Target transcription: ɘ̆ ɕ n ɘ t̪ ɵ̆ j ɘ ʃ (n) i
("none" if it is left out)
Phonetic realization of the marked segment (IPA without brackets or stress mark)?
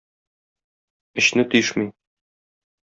m